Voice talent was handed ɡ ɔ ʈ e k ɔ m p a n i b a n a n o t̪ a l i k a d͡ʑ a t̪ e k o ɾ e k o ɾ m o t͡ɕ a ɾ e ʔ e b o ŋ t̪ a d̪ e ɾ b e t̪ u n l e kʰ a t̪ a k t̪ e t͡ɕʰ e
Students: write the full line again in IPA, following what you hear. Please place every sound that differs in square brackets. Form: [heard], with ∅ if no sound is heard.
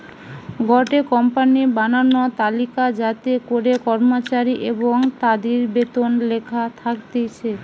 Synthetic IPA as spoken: ɡ ɔ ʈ e k ɔ m p a n i b a n a n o t̪ a l i k a d͡ʑ a t̪ e k o ɾ e k [ɔ] ɾ m o t͡ɕ a ɾ [i] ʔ e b o ŋ t̪ a d̪ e ɾ b e t̪ [o] n l e kʰ a [t̪ʰ] a k t̪ e t͡ɕʰ e